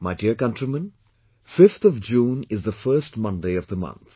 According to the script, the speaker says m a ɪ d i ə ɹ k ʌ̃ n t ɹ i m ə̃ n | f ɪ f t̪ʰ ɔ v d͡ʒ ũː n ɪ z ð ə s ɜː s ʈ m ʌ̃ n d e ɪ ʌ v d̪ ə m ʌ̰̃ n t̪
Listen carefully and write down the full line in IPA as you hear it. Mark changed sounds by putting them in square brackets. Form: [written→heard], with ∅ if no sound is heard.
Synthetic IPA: m a ɪ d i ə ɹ k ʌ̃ n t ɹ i m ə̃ n | f ɪ f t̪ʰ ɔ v d͡ʒ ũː n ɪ z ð ə [s→f] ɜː s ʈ m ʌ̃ n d e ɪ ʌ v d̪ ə m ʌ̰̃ n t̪